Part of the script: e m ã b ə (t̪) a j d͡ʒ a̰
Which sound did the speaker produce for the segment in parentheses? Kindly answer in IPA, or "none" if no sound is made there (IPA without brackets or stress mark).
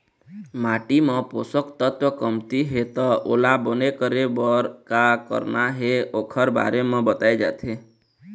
t̪